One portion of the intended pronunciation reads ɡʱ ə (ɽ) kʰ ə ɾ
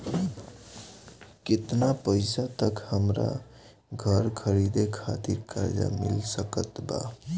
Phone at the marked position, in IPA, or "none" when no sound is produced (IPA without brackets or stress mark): ɾ